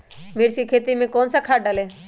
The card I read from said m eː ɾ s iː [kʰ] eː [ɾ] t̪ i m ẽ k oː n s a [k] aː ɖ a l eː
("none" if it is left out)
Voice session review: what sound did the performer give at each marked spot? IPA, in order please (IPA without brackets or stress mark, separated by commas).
kʰ, none, kʰ